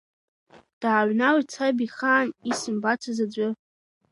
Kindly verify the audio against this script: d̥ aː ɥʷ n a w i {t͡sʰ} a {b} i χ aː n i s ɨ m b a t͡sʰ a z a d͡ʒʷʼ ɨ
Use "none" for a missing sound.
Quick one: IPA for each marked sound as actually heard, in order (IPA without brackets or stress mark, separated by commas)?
t͡sʰ, b